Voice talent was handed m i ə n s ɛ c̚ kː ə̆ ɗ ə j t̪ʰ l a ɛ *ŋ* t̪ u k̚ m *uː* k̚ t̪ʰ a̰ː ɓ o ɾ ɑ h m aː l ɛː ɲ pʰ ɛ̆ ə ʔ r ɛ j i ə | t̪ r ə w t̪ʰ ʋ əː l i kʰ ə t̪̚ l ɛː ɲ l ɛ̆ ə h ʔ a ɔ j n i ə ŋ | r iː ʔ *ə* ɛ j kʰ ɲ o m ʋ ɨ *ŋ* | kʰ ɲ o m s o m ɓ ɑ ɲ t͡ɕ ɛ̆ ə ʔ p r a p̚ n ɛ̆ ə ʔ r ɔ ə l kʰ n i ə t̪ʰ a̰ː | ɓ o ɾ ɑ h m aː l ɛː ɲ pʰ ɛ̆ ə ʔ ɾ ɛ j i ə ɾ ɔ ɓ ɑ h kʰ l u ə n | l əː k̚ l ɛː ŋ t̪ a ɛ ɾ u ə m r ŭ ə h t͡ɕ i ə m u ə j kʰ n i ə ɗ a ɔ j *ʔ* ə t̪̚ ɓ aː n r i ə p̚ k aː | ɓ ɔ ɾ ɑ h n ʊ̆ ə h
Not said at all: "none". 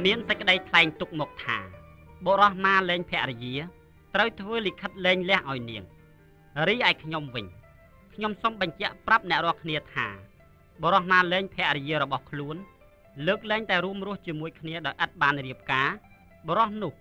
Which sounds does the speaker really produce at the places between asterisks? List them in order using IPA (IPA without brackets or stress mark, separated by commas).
ŋ, ɔː, a, ɲ, ʔ